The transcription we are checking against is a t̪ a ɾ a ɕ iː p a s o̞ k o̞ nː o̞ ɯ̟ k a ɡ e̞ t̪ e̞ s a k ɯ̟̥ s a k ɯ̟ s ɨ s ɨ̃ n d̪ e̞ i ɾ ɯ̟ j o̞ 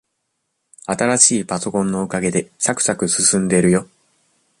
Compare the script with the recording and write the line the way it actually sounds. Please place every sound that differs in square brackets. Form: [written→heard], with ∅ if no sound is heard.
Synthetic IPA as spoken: a t̪ a ɾ a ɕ iː p a s o̞ k [o̞→õ̞] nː o̞ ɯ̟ k a ɡ e̞ [t̪→d̪] e̞ s a k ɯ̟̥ s a k ɯ̟ s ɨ s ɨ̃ n d̪ e̞ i ɾ ɯ̟ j o̞